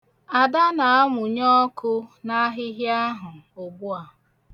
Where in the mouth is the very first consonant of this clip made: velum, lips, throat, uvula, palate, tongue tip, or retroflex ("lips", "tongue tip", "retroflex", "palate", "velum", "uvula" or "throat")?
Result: tongue tip